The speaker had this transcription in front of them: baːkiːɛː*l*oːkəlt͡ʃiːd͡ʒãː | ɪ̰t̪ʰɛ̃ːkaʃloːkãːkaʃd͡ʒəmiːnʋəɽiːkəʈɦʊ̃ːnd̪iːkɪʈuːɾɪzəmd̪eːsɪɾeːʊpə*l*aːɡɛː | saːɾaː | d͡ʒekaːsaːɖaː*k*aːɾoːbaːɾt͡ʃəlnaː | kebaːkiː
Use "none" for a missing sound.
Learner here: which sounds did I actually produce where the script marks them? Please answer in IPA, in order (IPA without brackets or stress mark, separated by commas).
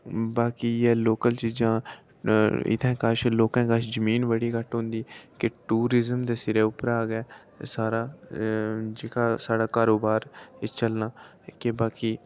l, ɾ, k